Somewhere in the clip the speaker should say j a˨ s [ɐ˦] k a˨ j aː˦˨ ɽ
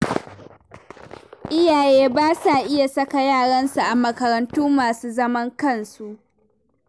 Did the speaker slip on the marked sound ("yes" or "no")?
no